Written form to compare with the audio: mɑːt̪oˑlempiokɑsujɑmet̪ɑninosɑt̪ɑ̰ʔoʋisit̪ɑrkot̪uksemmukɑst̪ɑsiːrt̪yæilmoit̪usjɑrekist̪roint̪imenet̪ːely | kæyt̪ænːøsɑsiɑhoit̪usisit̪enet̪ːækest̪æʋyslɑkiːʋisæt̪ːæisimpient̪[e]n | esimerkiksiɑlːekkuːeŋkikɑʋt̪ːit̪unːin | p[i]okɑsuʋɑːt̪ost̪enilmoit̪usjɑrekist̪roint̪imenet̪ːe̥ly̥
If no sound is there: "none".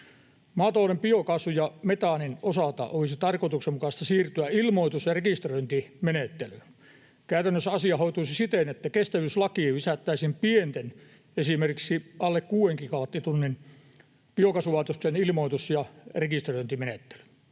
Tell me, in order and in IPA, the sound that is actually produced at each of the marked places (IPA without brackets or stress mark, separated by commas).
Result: e, i